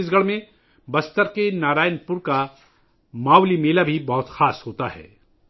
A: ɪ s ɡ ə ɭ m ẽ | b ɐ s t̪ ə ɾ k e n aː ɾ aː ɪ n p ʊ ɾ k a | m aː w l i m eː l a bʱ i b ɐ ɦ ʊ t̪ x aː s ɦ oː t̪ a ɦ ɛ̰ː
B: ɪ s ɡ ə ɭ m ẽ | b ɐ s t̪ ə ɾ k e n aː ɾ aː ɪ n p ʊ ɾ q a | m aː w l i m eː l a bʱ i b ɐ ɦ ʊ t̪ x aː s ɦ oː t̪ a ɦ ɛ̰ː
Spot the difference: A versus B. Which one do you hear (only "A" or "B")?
A